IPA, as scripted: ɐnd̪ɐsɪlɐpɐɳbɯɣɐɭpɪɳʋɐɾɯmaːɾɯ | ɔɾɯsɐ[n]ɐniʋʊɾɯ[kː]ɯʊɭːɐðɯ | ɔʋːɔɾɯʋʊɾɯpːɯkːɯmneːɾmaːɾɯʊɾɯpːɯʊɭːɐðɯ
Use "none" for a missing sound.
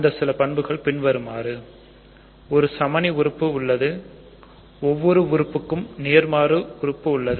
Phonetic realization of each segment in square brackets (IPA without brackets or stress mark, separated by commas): m, pː